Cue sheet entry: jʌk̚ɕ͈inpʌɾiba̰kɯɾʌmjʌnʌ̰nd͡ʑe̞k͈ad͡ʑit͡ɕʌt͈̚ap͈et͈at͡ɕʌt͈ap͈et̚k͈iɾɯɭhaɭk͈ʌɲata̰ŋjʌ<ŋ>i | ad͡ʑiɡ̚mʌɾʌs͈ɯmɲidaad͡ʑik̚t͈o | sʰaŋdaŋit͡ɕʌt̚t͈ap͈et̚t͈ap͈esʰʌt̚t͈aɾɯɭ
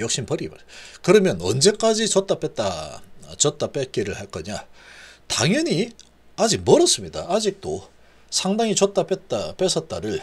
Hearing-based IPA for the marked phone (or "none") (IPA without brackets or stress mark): ɲ